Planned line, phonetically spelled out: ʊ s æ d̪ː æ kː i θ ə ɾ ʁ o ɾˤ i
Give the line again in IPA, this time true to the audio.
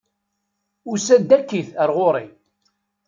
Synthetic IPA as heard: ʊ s æ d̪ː æ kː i θ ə ɾ ʁ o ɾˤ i